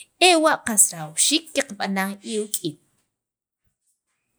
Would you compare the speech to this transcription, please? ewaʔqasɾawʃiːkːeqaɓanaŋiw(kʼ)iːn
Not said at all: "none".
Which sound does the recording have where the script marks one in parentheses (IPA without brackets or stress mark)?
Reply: kʼ